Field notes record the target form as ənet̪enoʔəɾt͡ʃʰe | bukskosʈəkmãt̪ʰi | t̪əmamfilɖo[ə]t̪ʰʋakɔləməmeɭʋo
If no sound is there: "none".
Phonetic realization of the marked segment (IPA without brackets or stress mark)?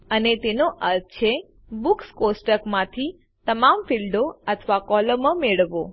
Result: ə